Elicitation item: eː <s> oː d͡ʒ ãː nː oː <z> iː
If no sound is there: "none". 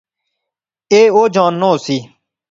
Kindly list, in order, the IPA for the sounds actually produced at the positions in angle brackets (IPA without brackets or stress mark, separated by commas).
none, s